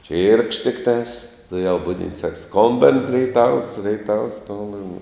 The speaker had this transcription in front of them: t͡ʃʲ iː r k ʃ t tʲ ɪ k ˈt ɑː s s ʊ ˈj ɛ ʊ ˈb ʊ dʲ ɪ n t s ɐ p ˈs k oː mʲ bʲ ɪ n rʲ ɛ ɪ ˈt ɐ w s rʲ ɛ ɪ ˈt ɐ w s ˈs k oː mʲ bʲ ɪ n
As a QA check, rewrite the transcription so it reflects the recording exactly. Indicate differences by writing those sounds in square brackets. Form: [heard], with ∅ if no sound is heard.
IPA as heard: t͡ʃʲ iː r k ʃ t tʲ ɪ k ˈt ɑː s [t] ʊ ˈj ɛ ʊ ˈb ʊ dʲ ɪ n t s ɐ [k] ˈs k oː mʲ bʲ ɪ n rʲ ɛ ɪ ˈt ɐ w s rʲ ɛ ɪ ˈt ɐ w s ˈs k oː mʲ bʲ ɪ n